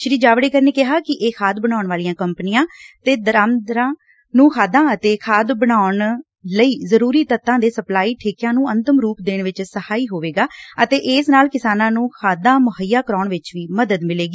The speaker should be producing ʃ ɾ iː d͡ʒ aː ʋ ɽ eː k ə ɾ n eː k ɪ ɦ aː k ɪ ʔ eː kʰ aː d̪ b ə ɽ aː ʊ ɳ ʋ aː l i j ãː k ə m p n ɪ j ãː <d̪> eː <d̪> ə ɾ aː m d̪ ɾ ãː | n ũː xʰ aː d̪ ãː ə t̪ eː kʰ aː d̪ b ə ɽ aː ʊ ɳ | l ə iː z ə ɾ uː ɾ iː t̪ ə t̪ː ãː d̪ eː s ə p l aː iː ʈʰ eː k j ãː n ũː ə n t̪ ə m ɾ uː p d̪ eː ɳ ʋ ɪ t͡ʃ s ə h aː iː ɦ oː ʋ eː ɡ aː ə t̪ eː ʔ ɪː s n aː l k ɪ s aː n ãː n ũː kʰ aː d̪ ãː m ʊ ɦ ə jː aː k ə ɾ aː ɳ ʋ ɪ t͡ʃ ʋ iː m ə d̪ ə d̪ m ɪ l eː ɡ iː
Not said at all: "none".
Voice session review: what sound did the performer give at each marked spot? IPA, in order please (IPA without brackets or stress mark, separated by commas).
t̪, d̪